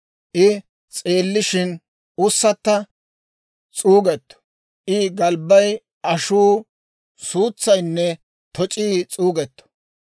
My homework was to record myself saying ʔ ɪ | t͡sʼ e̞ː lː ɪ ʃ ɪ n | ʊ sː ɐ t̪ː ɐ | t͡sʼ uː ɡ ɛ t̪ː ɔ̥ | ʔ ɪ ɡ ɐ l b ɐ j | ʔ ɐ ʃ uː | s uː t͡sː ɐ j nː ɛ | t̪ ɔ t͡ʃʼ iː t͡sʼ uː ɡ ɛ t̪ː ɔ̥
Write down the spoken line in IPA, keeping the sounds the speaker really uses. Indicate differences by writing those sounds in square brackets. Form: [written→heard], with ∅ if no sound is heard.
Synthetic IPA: ʔ ɪ | t͡sʼ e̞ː lː ɪ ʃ ɪ n | ʊ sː ɐ t̪ː ɐ | t͡sʼ uː ɡ ɛ t̪ː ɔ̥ | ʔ ɪ ɡ ɐ l b ɐ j | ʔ ɐ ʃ uː | s uː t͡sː ɐ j nː ɛ | t̪ ɔ t͡ʃʼ iː t͡sʼ uː ɡ ɛ t̪ː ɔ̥